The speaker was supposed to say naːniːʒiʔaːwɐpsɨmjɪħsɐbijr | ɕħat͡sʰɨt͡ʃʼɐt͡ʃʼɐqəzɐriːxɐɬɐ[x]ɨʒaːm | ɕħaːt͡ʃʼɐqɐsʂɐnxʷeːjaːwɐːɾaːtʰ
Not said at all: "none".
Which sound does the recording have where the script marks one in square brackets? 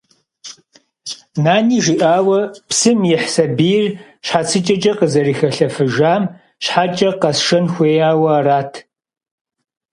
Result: f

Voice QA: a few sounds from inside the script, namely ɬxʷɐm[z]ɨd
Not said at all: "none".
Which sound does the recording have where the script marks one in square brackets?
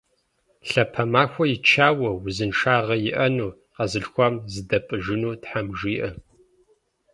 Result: z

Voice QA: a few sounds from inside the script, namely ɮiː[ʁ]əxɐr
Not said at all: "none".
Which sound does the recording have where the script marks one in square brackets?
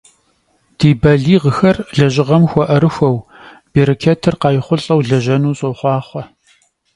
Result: ʁ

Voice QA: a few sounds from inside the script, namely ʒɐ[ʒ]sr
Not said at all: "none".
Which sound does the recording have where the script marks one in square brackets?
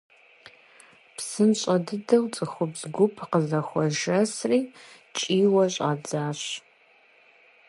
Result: none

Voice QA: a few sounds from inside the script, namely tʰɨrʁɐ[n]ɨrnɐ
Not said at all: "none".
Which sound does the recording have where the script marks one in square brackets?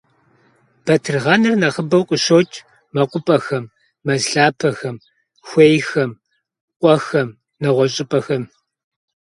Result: n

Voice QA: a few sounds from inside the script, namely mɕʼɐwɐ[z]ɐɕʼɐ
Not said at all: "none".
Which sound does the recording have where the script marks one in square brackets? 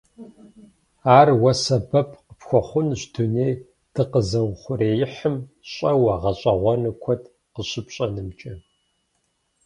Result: ʁ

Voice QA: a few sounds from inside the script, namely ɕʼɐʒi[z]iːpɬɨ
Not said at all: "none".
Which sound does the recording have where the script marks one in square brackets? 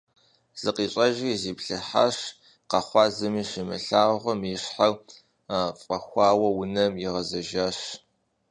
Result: z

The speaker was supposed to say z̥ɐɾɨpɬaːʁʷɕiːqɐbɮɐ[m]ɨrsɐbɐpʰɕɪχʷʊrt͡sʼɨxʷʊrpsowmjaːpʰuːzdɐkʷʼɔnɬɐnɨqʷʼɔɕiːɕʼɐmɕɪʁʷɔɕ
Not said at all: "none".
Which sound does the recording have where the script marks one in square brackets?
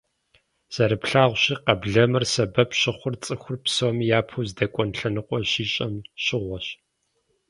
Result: m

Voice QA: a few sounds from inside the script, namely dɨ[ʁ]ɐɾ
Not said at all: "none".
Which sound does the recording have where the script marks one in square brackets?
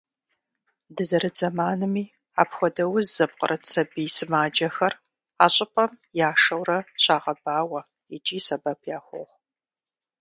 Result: z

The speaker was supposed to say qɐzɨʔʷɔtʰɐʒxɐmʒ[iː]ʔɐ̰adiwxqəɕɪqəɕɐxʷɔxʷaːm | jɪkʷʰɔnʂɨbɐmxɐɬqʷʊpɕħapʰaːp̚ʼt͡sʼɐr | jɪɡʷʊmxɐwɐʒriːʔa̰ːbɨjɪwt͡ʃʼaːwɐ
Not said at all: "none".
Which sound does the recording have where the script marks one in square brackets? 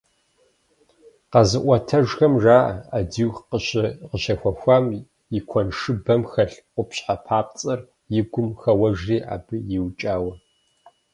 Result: aː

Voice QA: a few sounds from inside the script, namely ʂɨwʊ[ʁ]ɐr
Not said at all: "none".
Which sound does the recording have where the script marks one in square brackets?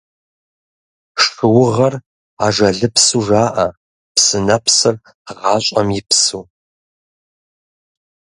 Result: ʁ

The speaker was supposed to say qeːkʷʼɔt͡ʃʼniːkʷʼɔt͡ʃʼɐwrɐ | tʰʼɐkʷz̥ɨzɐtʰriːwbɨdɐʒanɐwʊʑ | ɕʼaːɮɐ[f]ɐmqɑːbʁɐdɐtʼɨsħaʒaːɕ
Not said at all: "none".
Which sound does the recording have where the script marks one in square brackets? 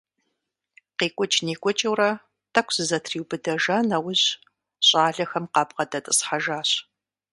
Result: x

